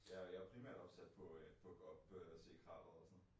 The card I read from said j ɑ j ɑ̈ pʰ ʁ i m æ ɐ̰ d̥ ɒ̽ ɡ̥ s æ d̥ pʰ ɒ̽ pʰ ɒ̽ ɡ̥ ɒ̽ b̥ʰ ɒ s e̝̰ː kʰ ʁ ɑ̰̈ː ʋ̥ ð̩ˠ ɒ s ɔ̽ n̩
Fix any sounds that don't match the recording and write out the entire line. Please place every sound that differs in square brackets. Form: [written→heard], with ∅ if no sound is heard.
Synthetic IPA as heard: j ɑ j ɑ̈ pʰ ʁ i m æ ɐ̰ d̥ ɒ̽ [ɡ̥→b̥] s æ d̥ pʰ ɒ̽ pʰ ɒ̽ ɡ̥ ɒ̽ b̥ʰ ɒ s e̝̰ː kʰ ʁ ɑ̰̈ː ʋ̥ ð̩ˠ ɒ s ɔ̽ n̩